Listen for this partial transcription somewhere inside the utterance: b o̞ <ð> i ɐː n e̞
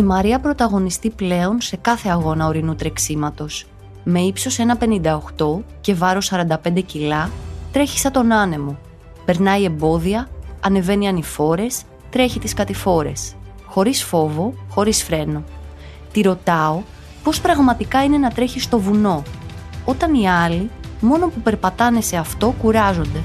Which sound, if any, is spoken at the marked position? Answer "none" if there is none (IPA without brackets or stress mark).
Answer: ð